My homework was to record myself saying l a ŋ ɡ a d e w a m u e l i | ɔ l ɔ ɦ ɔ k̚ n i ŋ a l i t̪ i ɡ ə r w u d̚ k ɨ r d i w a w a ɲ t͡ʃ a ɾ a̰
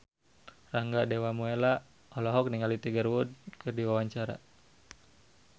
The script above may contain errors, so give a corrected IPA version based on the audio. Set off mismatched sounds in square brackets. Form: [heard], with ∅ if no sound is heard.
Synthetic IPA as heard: [r] a ŋ ɡ a d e w a m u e l [a] | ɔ l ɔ ɦ ɔ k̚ n i ŋ a l i t̪ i ɡ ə r w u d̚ k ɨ r d i w a w a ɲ t͡ʃ a ɾ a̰